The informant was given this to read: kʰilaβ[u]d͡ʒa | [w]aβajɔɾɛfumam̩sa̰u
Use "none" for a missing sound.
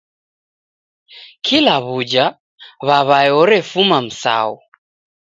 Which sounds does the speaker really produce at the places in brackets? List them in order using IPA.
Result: u, β

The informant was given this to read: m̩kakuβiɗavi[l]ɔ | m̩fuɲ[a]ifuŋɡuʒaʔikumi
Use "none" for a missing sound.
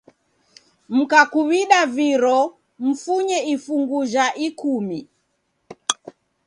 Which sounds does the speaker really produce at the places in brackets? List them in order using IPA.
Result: ɾ, ɛ

